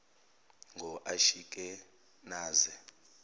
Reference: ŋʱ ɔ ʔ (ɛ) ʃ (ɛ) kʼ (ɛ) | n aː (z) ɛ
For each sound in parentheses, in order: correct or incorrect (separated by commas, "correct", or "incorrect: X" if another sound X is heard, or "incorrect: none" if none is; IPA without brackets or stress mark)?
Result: incorrect: a, incorrect: i, correct, correct